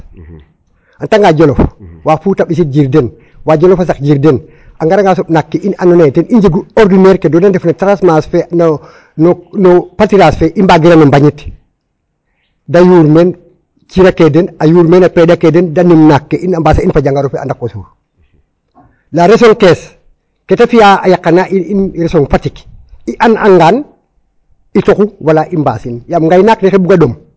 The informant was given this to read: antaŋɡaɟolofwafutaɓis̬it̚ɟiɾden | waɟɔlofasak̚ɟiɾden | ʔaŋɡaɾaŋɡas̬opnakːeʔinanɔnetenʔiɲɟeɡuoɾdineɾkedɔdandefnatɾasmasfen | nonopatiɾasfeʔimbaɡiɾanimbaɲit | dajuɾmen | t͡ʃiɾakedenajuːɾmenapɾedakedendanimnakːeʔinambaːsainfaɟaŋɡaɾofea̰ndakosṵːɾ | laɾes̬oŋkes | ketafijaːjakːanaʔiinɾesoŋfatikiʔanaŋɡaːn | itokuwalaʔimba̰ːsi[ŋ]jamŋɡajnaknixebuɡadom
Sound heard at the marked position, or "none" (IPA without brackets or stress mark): n